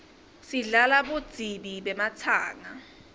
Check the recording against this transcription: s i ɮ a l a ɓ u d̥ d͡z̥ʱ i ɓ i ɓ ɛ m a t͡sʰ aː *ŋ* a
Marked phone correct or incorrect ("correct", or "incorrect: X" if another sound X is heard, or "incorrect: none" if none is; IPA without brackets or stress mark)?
correct